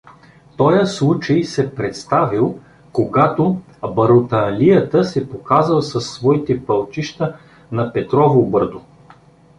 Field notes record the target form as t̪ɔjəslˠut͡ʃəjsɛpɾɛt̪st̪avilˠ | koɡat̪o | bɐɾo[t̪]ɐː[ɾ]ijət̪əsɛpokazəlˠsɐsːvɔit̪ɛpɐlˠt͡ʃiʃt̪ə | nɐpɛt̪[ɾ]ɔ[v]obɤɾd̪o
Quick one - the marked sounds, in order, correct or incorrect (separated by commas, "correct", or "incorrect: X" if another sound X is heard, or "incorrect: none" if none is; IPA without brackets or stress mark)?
correct, incorrect: l, correct, correct